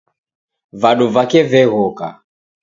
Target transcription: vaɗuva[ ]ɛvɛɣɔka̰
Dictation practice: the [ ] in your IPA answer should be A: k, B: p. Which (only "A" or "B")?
A